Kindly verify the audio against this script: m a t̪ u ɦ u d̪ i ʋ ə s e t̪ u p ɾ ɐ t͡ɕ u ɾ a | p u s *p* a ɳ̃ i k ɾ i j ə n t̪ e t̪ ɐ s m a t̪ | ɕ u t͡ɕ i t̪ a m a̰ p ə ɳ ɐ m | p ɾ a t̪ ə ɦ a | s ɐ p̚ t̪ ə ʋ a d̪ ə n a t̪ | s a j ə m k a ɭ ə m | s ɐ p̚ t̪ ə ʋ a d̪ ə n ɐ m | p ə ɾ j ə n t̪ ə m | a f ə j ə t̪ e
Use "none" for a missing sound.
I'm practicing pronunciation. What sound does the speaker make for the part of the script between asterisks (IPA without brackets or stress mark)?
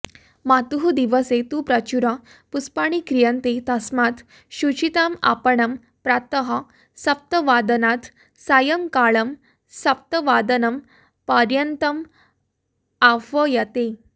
p